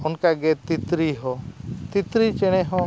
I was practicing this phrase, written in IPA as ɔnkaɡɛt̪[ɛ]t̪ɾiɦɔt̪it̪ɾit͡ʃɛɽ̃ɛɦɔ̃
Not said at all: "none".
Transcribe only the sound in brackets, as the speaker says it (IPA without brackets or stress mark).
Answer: i